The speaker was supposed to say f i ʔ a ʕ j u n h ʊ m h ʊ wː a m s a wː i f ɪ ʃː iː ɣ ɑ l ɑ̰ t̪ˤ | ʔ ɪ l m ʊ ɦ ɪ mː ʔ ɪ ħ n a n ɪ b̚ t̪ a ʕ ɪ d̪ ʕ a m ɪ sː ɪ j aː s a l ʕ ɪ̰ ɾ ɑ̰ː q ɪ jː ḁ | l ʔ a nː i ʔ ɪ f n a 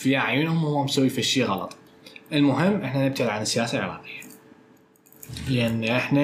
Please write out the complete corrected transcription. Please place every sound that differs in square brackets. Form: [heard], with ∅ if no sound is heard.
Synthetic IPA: f i ʔ a ʕ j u n h ʊ m h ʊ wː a m s a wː i f [i] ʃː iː ɣ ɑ l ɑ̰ t̪ˤ | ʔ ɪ l m ʊ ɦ ɪ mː ʔ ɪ ħ n a n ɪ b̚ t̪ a ʕ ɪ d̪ ʕ a [n] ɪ sː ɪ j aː s a l ʕ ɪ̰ ɾ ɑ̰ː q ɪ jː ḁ | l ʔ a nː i ʔ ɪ [ħ] n a